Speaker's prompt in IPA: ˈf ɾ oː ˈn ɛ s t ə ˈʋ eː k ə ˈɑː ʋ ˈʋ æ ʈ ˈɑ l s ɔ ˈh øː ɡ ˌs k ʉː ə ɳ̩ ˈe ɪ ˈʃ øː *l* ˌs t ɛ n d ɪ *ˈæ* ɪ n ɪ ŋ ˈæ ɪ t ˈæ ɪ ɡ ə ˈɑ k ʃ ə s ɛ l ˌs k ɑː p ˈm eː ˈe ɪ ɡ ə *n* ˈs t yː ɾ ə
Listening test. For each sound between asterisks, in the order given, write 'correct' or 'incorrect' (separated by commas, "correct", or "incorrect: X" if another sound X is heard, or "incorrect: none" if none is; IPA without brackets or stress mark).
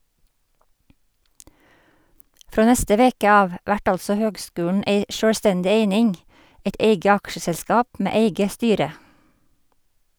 incorrect: ɽ, incorrect: e, incorrect: none